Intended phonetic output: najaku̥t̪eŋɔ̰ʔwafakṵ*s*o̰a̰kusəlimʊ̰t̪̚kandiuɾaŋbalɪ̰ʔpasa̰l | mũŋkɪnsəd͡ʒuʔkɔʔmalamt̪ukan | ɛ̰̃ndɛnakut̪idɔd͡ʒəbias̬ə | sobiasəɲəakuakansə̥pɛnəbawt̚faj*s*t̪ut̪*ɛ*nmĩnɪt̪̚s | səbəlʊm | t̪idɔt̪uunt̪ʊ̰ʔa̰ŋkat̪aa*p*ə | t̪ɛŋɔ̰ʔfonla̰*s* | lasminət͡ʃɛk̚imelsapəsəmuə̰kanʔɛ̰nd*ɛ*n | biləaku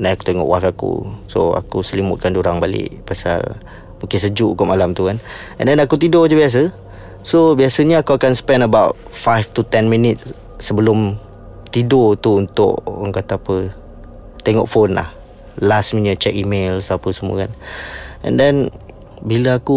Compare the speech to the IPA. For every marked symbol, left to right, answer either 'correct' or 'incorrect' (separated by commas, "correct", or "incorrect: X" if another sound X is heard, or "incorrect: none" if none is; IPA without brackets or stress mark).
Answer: correct, incorrect: f, correct, correct, incorrect: h, correct